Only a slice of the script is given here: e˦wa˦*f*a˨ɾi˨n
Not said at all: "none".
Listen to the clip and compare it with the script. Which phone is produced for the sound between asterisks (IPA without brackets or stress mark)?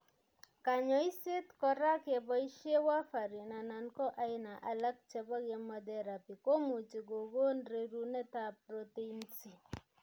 f